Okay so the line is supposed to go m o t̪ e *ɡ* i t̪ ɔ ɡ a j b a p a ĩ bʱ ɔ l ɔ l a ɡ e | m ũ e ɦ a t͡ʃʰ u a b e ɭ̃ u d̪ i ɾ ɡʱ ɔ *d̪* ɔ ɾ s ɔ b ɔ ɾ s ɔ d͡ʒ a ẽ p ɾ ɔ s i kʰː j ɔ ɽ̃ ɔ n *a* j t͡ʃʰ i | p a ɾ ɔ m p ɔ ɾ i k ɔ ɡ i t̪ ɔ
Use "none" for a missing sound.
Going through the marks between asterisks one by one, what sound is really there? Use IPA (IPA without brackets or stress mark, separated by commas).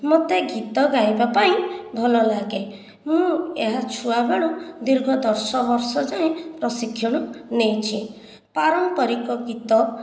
ɡ, d̪, e